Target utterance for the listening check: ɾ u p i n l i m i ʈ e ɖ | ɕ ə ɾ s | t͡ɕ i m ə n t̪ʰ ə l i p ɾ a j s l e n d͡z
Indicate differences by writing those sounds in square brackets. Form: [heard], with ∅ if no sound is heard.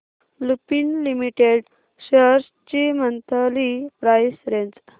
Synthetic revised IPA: [l] u p i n l i m i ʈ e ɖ | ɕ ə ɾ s | t͡ɕ i m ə n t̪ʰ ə l i p ɾ a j s [ɾ] e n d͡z

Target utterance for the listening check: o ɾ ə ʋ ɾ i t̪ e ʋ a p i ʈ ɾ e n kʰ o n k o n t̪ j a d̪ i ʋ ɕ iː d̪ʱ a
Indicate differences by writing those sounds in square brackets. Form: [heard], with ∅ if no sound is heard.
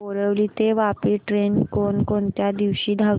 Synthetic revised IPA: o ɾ ə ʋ [l] i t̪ e ʋ a p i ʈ ɾ e n [k] o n k o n t̪ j a d̪ i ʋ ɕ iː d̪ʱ a

